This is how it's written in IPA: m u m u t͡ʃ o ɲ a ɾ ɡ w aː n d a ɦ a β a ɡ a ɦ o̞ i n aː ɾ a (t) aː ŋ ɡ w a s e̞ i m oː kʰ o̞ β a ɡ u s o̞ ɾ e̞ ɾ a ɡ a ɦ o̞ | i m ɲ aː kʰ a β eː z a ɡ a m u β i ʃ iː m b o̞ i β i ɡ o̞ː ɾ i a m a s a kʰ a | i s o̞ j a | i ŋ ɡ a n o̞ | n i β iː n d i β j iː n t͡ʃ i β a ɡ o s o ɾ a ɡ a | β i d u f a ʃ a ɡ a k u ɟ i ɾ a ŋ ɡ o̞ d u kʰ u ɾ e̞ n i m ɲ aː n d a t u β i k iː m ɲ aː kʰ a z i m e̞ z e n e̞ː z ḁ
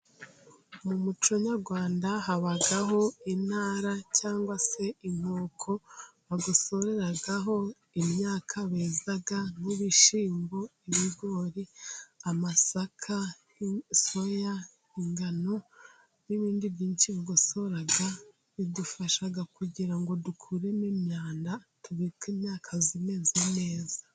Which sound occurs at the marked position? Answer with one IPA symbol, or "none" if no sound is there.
c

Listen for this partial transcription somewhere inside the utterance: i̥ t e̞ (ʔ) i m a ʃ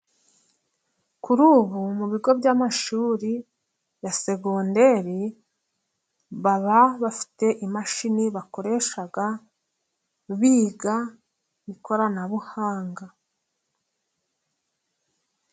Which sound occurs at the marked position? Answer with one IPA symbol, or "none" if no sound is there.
ʔ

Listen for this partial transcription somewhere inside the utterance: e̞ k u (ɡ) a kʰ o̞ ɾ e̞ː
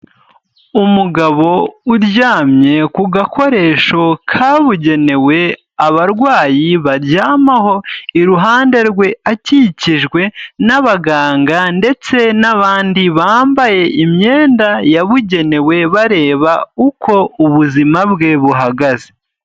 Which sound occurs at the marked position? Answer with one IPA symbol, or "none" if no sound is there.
ɡ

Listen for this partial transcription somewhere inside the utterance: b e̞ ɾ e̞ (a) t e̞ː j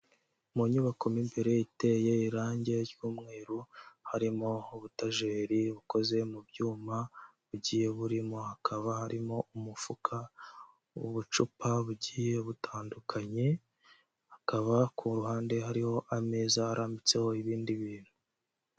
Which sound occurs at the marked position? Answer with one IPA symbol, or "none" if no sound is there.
i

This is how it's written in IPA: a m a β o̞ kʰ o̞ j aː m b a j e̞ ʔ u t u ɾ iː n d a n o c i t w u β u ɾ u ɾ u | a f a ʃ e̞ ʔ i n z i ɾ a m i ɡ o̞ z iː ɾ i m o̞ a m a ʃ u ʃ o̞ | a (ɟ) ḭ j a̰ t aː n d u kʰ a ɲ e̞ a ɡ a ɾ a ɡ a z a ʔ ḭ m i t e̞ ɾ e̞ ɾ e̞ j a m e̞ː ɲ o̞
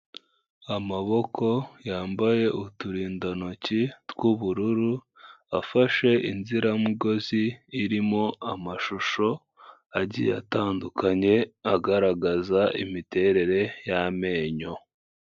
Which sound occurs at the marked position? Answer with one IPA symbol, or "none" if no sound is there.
ɟ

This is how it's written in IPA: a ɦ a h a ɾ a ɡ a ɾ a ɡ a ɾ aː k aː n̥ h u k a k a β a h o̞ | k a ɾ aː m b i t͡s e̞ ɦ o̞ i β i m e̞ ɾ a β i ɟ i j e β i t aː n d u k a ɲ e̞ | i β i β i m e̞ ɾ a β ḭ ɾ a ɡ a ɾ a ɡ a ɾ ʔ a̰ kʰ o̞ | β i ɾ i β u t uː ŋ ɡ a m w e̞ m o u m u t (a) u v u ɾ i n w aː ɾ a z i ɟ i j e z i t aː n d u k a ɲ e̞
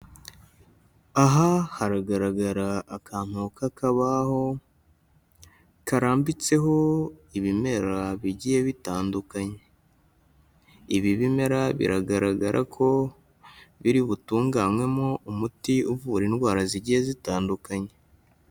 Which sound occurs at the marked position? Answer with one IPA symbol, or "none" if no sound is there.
i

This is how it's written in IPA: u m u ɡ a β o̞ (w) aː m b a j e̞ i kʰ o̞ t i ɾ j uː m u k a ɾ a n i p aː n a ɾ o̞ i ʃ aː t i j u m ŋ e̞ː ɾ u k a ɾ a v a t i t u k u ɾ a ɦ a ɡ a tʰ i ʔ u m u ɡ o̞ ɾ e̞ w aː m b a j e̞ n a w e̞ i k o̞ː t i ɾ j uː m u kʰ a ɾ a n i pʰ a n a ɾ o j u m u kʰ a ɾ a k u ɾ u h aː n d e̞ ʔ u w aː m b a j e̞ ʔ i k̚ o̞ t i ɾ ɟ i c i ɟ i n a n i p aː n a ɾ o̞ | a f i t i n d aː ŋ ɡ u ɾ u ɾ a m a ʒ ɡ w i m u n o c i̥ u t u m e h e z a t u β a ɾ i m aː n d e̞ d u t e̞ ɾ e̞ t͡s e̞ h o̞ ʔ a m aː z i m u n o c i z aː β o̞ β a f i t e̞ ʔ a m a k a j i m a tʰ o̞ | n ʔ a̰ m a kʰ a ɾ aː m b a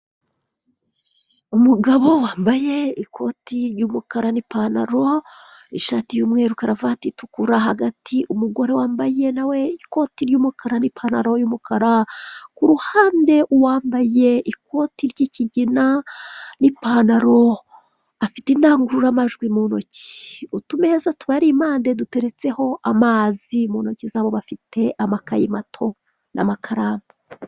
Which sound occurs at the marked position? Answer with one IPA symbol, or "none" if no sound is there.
w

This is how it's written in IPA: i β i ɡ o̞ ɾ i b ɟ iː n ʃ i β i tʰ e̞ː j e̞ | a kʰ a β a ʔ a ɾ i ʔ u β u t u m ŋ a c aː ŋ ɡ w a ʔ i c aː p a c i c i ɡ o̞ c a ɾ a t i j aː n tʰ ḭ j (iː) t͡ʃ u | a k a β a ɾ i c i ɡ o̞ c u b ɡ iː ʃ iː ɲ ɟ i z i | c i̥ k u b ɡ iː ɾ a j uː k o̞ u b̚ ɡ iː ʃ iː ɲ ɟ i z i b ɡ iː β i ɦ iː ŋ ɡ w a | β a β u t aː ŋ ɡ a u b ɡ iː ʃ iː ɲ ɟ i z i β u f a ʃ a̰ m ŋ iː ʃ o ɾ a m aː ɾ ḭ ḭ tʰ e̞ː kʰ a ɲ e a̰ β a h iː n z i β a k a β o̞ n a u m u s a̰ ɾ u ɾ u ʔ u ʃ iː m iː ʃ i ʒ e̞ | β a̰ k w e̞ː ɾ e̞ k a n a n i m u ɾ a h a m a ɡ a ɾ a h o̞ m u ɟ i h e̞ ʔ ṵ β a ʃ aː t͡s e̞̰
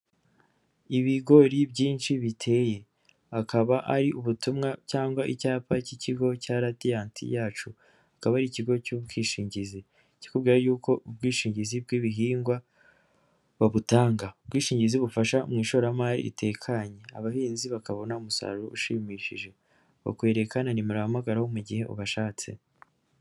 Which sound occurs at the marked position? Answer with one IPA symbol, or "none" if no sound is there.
aː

